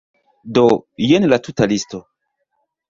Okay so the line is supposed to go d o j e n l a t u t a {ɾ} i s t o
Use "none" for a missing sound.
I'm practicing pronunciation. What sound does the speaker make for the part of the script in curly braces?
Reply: l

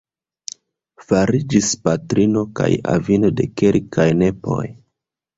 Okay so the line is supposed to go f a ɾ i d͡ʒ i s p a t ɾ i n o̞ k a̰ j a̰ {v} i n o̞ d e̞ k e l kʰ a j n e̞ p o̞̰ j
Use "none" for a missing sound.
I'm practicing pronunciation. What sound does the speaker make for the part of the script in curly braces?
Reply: v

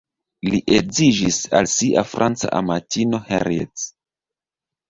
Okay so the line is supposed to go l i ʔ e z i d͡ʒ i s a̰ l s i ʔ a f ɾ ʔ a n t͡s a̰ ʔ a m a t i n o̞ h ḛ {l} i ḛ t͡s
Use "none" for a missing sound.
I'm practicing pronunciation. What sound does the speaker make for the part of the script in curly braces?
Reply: ɾ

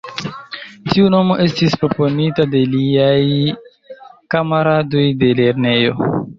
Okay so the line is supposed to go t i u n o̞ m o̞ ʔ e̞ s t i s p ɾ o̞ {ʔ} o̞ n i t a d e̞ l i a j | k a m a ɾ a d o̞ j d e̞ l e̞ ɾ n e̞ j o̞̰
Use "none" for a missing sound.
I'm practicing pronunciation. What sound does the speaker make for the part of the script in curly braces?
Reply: p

